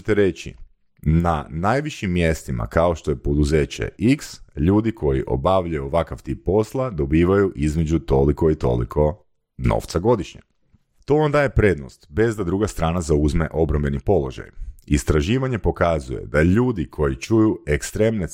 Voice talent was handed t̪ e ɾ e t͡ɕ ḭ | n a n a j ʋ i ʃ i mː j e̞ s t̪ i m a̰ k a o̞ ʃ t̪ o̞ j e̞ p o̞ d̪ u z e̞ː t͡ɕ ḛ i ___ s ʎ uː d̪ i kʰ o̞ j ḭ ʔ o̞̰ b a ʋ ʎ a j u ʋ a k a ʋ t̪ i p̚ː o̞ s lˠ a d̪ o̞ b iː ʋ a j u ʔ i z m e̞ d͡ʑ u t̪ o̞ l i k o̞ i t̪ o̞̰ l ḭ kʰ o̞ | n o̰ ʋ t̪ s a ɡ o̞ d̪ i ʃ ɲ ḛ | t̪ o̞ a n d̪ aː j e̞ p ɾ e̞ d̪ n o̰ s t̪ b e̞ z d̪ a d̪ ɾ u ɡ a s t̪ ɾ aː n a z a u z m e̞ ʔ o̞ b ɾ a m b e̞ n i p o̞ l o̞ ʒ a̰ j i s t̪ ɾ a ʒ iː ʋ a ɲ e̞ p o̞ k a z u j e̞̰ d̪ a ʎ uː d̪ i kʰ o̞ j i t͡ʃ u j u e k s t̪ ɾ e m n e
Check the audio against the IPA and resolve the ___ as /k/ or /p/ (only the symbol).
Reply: k